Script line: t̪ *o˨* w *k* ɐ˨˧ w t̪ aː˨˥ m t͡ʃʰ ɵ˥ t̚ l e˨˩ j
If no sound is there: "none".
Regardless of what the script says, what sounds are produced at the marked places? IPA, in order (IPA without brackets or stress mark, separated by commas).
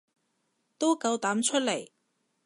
o˥, k